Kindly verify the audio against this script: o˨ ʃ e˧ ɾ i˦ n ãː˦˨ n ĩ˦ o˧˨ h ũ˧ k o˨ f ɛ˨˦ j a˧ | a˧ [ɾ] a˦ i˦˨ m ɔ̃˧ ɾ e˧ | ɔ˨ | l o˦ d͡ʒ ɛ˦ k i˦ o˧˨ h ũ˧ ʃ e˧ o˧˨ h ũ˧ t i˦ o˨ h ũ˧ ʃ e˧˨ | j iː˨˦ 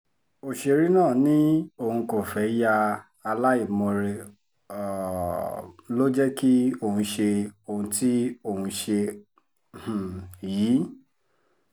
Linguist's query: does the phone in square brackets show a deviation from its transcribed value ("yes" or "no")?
yes